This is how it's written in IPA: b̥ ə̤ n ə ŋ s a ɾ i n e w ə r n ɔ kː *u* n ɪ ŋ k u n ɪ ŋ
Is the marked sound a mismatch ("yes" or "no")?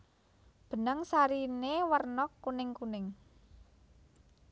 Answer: no